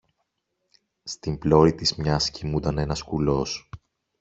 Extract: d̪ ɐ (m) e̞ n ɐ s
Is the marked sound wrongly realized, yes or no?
yes